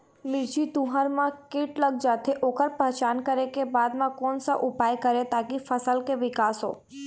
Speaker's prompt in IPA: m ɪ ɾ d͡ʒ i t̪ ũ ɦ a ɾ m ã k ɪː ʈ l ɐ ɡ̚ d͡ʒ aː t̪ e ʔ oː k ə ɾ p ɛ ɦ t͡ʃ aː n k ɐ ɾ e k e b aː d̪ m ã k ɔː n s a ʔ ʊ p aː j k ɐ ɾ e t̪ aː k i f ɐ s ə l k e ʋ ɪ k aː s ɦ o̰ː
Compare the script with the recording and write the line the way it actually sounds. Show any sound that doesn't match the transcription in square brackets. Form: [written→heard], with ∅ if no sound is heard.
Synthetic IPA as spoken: m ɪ ɾ d͡ʒ i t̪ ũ ɦ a ɾ m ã k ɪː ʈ l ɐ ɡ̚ d͡ʒ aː t̪ e ʔ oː k ə ɾ p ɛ ɦ t͡ʃ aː n k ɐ ɾ e k e b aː d̪ m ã k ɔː n s a ʔ ʊ p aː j k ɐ ɾ e t̪ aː k i f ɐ s ə l k e ʋ ɪ k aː s ɦ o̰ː